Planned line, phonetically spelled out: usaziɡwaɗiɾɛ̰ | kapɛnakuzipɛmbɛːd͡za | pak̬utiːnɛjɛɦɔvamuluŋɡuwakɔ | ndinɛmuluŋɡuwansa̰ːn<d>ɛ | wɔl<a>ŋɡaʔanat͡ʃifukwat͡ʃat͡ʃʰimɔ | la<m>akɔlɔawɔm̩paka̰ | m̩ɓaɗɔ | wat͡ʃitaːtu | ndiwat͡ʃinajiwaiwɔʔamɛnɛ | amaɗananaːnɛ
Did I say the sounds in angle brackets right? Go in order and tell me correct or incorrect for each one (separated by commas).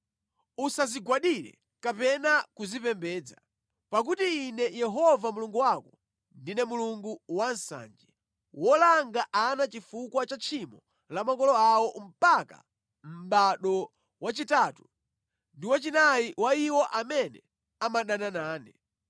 incorrect, correct, correct